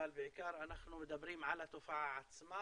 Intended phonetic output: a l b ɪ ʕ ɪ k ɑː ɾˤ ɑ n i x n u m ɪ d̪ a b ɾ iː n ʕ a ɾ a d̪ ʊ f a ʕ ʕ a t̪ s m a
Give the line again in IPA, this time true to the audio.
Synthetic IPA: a l b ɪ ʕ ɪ k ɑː ɾˤ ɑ n a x n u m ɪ d̪ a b ɾ iː m ʕ a l a t̪ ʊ f a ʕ ʕ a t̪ s m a